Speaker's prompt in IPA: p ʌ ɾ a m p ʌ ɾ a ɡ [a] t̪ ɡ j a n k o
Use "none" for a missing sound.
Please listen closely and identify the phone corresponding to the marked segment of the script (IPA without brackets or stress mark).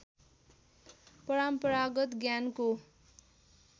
ʌ